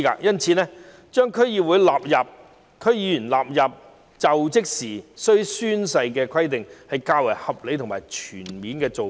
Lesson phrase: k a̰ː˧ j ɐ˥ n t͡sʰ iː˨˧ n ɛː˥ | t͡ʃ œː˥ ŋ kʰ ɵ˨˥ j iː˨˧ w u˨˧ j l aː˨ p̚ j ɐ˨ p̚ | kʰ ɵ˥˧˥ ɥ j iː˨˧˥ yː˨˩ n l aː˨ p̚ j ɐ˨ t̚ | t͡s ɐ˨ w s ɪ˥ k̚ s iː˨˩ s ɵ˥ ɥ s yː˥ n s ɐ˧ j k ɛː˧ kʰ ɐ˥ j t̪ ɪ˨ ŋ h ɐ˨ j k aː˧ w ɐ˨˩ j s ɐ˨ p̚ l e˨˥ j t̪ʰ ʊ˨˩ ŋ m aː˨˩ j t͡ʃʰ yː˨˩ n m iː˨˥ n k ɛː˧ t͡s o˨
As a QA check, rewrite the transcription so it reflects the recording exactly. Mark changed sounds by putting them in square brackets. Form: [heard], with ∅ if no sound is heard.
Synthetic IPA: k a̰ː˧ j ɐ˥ n t͡sʰ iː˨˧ n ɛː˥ | t͡ʃ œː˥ ŋ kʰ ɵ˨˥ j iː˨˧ w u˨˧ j l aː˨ p̚ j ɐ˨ p̚ | kʰ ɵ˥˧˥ ɥ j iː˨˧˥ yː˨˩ n l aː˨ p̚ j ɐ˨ [p̚] | t͡s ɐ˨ w [t͡s] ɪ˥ k̚ s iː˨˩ s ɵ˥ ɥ s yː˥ n s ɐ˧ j k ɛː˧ kʰ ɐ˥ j t̪ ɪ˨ ŋ h ɐ˨ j k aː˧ w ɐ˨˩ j [h] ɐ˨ p̚ l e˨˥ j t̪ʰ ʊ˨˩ ŋ m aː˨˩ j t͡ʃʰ yː˨˩ n m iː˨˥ n k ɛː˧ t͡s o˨

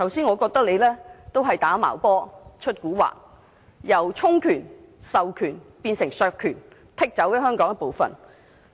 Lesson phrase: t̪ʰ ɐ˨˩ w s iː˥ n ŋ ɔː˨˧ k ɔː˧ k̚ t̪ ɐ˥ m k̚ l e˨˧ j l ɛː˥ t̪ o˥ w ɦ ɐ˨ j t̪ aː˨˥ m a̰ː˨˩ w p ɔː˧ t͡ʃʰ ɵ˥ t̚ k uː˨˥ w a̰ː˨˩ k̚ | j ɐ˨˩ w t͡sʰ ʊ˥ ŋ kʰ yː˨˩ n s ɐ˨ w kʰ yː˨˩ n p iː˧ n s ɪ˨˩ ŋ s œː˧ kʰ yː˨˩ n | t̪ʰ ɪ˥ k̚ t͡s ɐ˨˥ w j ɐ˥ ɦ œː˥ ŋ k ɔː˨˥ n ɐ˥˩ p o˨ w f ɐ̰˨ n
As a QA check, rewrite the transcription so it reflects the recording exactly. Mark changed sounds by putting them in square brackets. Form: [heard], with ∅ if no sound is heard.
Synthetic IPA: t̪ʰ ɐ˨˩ w s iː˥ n ŋ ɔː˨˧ k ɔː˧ k̚ t̪ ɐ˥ [∅] k̚ l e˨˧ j l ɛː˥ t̪ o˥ w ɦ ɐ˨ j t̪ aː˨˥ m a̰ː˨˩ w p [ɔː˥] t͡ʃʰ ɵ˥ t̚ k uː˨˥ w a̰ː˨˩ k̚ | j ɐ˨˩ w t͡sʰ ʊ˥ ŋ kʰ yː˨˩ n s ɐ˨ w kʰ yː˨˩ n p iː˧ n s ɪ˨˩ ŋ s œː˧ kʰ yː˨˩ n | t̪ʰ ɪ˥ k̚ t͡s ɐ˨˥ w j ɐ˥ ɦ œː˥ ŋ k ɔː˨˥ [ŋ] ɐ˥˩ p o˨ w f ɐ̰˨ n

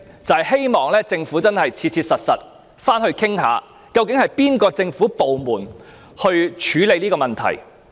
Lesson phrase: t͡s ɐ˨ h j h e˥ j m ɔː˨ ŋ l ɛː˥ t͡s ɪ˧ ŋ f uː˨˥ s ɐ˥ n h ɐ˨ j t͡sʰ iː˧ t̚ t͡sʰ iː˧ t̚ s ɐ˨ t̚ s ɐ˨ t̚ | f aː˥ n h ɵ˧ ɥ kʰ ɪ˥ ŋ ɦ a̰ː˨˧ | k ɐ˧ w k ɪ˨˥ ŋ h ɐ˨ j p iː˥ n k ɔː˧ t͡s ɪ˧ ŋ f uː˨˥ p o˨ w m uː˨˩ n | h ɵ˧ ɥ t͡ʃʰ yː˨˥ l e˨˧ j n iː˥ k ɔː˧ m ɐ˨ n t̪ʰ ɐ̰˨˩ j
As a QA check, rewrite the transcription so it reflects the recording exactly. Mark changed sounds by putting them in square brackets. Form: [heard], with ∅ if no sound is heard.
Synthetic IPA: t͡s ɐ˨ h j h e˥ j m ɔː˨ ŋ l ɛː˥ t͡s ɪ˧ ŋ f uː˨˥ [t͡s] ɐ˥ n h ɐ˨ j t͡sʰ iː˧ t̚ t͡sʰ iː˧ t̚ s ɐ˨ t̚ s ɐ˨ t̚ | f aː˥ n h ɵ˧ ɥ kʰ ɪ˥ ŋ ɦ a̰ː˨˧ | k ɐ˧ w k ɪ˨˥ ŋ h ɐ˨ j p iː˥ n k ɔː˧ t͡s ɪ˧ ŋ f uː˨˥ p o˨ w m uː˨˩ n | h ɵ˧ ɥ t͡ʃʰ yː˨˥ l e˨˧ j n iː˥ k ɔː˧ m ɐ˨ n t̪ʰ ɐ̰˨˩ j

